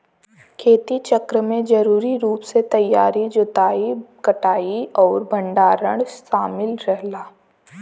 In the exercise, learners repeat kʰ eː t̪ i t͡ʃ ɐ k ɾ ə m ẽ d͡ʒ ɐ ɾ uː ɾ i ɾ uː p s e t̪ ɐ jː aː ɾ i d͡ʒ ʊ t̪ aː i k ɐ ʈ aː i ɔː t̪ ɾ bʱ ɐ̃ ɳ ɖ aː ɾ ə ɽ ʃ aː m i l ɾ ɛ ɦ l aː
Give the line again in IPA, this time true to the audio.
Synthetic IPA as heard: kʰ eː t̪ i t͡ʃ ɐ k ɾ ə m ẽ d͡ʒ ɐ ɾ uː ɾ i ɾ uː p s e t̪ ɐ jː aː ɾ i d͡ʒ ʊ t̪ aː i k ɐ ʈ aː i ɔː ɾ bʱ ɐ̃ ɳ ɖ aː ɾ ə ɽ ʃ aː m ɪ l ɾ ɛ ɦ l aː